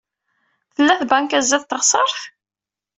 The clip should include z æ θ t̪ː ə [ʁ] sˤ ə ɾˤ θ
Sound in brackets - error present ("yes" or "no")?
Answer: no